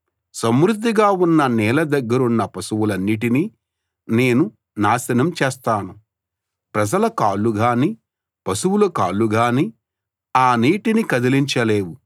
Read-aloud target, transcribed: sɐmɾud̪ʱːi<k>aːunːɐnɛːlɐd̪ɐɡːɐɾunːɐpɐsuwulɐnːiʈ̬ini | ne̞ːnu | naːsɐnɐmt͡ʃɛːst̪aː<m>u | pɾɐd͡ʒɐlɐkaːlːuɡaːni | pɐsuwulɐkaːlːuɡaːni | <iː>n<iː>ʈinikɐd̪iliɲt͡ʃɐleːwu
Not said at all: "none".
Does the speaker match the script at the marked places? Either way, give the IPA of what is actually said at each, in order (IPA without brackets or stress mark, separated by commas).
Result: ɡ, n, aː, iː